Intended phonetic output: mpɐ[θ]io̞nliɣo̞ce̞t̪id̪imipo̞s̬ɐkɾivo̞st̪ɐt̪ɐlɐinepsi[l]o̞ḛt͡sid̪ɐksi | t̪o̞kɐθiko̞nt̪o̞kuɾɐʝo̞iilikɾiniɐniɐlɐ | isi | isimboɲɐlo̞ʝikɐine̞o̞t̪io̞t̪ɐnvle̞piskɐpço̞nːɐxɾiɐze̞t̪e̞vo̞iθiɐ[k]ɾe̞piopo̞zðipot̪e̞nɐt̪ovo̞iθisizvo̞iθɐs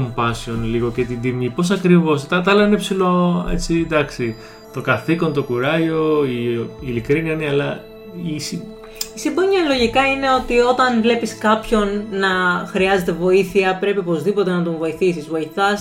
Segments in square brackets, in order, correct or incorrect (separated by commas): incorrect, correct, incorrect